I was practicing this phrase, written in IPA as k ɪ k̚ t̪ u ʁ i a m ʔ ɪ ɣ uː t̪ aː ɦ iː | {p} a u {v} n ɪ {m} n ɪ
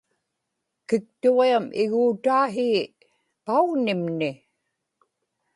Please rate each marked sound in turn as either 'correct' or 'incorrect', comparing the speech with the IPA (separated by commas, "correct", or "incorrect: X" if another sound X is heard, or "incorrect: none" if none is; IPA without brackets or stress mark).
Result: correct, incorrect: ɣ, correct